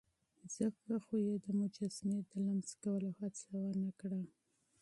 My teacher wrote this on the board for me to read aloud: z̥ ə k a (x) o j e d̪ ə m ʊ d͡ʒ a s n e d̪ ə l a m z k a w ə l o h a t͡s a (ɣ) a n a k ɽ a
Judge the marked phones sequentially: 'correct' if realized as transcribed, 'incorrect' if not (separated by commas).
correct, incorrect